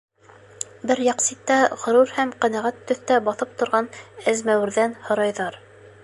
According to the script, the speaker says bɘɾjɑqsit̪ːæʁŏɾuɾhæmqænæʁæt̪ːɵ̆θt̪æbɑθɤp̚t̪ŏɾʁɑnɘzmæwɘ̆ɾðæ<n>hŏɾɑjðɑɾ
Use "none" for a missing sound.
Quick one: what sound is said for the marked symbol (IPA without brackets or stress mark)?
n